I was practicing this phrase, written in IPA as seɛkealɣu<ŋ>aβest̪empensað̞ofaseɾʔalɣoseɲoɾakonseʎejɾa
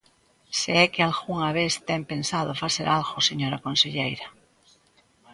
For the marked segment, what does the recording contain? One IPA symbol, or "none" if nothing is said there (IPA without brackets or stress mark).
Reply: ŋ